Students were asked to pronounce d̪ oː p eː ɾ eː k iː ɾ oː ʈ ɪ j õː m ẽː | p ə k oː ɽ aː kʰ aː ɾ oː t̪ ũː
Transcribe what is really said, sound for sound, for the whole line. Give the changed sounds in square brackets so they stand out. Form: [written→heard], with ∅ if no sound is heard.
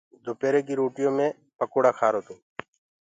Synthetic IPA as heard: d̪ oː p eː ɾ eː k iː ɾ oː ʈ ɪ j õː m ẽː | p ə k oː ɽ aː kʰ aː ɾ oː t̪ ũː